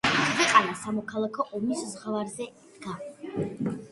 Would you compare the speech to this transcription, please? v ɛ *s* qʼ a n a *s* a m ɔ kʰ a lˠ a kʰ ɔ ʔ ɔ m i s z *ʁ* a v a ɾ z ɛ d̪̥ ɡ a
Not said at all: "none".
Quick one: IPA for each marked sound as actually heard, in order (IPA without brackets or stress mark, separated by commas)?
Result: none, s, ʁ